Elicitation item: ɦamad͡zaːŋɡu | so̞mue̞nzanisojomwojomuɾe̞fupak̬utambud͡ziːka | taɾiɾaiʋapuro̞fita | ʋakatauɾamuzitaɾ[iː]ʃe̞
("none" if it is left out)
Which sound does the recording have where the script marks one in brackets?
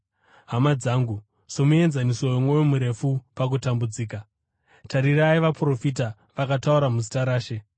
aː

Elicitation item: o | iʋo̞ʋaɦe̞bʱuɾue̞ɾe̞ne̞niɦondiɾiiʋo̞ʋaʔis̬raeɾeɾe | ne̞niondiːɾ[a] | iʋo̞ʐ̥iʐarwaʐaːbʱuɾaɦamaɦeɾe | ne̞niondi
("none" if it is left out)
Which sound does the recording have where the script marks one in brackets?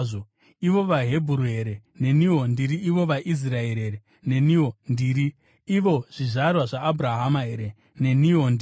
i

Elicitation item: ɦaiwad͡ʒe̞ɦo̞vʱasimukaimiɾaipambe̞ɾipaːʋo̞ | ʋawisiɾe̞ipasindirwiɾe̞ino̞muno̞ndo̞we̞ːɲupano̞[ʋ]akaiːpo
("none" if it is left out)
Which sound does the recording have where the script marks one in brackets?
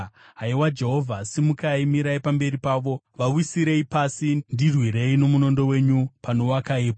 w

